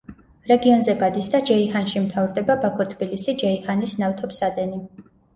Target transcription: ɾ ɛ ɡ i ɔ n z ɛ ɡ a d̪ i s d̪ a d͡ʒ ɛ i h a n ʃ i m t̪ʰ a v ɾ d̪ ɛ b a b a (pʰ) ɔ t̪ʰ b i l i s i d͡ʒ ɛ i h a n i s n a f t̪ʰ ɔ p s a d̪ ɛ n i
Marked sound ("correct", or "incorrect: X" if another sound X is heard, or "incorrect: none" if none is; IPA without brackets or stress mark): incorrect: kʰ